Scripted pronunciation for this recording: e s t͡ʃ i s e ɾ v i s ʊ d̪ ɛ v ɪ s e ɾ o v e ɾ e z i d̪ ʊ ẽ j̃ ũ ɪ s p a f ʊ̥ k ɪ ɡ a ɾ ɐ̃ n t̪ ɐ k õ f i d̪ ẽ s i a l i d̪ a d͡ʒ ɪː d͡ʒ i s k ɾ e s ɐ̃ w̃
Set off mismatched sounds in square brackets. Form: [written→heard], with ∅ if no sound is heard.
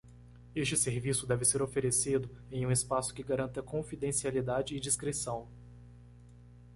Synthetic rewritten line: e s t͡ʃ [i→ɪ] s e ɾ v i s ʊ d̪ ɛ v ɪ s e ɾ o [v→f] e ɾ e [z→s] i d̪ ʊ ẽ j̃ ũ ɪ s p a [f→s] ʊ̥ k ɪ ɡ a ɾ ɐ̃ n t̪ ɐ k õ f i d̪ ẽ s i a l i d̪ a d͡ʒ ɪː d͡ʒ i s k ɾ e s ɐ̃ w̃